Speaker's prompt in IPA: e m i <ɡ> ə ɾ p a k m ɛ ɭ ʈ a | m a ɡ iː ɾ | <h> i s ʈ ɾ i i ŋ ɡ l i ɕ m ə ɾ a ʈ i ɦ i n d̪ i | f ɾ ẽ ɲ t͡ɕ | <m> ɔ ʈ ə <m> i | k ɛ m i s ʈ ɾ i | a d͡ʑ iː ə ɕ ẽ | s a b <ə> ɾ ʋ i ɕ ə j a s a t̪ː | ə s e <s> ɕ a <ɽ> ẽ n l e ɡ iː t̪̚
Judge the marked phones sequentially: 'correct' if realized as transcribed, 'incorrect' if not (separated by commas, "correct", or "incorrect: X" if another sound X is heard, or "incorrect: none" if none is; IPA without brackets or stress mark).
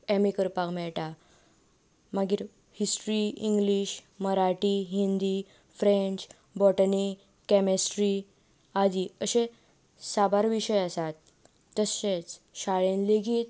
incorrect: k, correct, incorrect: b, incorrect: n, incorrect: a, incorrect: t͡s, incorrect: ɭ